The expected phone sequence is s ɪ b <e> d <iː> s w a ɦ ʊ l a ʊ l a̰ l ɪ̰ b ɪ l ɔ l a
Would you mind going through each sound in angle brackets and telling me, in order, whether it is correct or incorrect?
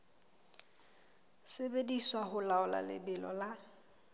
correct, incorrect: i

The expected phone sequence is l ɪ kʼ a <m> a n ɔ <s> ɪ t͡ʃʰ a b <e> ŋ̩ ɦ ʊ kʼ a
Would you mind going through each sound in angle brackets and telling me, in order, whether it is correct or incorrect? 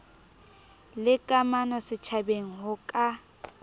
correct, correct, correct

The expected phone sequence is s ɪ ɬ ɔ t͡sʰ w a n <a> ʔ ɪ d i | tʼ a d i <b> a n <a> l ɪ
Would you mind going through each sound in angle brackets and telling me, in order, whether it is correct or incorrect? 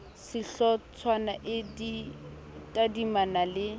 correct, incorrect: m, correct

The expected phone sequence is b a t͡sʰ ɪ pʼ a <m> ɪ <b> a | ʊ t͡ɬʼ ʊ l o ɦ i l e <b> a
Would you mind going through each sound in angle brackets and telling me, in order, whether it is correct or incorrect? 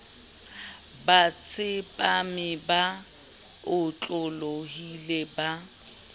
correct, correct, correct

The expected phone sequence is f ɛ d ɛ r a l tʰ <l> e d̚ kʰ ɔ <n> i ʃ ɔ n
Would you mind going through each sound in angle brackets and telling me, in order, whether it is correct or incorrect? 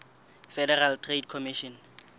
incorrect: r, incorrect: m

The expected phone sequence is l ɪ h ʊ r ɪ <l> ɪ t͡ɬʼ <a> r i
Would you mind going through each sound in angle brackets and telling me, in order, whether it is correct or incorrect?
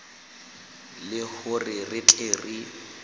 incorrect: r, incorrect: e

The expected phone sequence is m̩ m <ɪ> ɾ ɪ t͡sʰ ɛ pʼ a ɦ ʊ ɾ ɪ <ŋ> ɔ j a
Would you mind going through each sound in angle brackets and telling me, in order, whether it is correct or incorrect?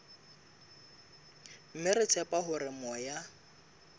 correct, incorrect: m

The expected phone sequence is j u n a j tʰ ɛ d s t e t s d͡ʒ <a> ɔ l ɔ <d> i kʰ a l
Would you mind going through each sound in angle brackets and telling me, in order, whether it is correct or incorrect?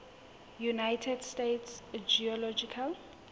incorrect: i, incorrect: d͡ʒ

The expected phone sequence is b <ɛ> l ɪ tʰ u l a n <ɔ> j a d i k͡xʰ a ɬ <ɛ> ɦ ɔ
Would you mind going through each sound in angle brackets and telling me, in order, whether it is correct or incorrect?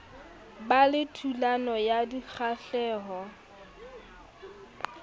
incorrect: a, correct, incorrect: ɛː

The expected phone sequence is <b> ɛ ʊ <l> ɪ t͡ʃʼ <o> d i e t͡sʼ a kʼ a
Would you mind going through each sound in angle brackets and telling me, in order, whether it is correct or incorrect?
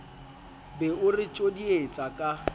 correct, incorrect: r, correct

